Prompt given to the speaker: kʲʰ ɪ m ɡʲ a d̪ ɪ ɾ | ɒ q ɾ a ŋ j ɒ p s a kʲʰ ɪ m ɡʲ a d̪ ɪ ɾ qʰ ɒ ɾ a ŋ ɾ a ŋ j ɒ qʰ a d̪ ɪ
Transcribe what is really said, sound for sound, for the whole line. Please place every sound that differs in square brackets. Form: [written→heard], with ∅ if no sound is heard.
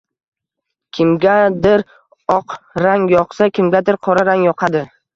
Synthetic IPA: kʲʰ ɪ m ɡʲ a d̪ ɪ ɾ | ɒ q ɾ a ŋ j ɒ [p→q] s a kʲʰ ɪ m ɡʲ a d̪ ɪ ɾ qʰ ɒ ɾ a [ŋ→∅] ɾ a ŋ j ɒ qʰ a d̪ ɪ